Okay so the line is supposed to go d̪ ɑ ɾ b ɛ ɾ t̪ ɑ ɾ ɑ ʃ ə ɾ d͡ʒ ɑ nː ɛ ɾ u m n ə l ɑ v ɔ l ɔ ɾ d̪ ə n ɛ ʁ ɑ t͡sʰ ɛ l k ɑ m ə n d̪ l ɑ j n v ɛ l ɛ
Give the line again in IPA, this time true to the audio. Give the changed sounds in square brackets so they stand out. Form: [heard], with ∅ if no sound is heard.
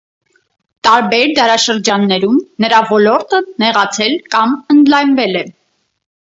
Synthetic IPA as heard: [t̪] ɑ ɾ b ɛ ɾ [d̪] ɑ ɾ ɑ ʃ ə ɾ d͡ʒ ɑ nː ɛ ɾ u m n ə [ɾ] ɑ v ɔ l ɔ ɾ [t̪] ə n ɛ ʁ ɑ t͡sʰ ɛ l k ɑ m ə n d̪ l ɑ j n v ɛ l ɛ